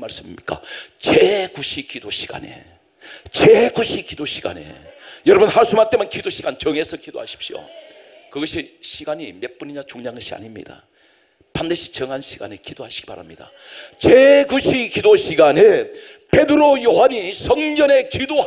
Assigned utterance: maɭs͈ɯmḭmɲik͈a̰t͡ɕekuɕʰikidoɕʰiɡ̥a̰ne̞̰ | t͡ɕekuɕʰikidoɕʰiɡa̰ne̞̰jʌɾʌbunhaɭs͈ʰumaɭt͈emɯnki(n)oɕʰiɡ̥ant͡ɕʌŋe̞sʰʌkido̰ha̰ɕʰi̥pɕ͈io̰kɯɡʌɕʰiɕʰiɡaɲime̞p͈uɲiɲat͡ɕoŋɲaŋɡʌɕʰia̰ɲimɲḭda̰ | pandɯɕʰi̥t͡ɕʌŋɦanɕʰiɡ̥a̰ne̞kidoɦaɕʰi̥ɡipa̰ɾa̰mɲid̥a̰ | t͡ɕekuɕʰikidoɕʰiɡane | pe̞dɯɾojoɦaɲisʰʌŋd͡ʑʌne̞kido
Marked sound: incorrect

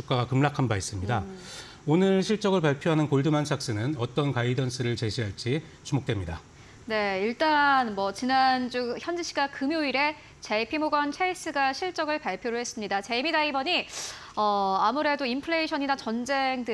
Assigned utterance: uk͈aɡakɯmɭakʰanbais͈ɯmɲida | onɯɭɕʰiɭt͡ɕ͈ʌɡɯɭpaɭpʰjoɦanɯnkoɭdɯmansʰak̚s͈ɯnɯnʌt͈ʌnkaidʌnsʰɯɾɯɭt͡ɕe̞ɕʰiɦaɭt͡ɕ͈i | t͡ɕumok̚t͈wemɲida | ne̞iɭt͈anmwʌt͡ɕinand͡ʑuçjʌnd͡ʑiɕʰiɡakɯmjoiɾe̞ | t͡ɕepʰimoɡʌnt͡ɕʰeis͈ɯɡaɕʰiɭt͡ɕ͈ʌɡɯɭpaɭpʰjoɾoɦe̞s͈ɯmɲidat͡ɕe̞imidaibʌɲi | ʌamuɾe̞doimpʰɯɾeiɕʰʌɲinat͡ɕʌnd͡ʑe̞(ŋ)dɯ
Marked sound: correct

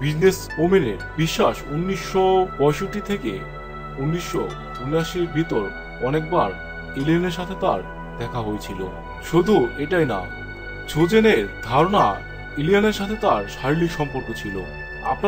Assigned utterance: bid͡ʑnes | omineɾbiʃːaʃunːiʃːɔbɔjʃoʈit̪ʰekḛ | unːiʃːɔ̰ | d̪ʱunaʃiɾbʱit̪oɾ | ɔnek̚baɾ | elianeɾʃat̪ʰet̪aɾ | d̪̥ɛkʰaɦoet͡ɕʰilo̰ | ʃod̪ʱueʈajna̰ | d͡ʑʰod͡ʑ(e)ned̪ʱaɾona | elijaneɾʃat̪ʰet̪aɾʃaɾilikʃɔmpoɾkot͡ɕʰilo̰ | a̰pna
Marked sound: correct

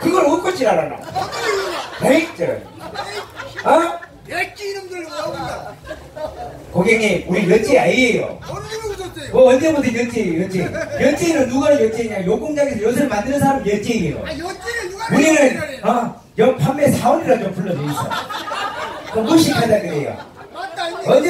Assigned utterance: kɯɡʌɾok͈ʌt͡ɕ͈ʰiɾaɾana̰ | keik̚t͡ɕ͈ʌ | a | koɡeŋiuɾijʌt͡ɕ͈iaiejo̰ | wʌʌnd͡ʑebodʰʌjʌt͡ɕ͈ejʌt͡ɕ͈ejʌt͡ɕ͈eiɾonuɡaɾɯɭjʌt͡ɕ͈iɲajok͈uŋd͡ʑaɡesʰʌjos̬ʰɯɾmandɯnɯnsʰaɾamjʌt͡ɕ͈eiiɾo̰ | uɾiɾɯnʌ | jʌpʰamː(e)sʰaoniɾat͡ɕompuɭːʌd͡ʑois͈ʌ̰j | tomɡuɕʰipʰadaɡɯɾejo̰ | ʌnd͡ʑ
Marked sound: correct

